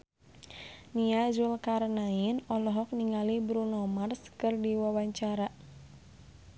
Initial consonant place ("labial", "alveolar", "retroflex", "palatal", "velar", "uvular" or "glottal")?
alveolar